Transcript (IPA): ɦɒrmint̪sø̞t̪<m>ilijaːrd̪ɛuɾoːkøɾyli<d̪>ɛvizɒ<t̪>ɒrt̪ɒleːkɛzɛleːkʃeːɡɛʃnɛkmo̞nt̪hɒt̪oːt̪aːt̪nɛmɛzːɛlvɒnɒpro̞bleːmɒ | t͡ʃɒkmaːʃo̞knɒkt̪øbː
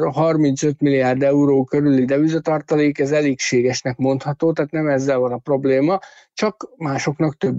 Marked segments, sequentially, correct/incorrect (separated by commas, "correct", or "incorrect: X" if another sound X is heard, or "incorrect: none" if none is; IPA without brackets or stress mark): correct, correct, correct